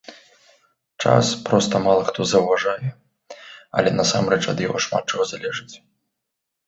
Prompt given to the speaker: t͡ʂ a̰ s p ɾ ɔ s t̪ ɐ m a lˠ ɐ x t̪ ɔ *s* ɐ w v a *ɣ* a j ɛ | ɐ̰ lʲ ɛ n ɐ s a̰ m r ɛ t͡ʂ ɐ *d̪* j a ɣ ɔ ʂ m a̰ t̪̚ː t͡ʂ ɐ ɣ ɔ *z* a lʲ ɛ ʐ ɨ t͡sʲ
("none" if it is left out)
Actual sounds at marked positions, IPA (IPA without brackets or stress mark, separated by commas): z, ʐ, d̪, z